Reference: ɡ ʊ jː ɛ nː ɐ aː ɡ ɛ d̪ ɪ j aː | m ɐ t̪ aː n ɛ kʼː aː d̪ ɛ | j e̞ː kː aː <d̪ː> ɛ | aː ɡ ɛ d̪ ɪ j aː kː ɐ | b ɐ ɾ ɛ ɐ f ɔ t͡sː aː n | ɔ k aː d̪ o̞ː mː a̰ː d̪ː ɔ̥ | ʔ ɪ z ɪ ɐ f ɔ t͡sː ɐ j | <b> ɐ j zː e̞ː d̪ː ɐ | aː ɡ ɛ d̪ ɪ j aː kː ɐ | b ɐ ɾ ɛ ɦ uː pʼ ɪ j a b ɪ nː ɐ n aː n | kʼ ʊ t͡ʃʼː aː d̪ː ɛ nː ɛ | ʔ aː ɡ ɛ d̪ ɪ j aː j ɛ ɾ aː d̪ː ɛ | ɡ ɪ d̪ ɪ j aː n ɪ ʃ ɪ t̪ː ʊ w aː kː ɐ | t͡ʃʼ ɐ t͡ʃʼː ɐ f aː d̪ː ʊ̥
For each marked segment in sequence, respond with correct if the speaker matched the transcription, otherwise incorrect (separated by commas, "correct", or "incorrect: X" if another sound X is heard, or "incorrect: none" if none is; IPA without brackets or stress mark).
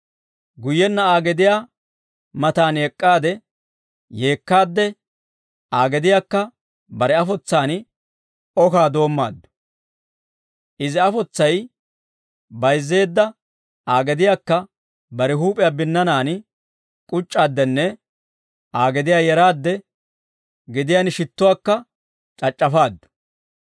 correct, correct